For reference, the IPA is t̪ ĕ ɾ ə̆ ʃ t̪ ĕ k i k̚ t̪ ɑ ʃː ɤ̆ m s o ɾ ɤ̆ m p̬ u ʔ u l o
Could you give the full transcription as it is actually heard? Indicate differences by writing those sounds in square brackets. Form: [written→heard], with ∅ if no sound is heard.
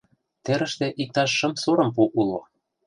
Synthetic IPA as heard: t̪ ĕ ɾ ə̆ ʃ t̪ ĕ [k→ʔ] i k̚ t̪ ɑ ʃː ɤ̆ m s o ɾ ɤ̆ m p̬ u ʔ u l o